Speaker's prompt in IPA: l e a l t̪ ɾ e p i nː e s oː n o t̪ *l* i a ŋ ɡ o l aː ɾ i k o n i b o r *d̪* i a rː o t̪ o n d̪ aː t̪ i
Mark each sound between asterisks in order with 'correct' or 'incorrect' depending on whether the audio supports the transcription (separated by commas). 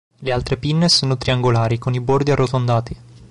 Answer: incorrect, correct